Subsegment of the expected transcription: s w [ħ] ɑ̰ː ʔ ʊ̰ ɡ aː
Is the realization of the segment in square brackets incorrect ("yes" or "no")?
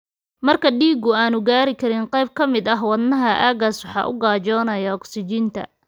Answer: no